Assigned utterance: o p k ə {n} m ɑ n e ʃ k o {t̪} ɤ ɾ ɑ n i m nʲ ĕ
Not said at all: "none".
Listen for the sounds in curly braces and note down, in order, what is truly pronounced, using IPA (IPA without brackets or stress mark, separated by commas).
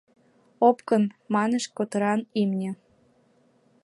n, t̪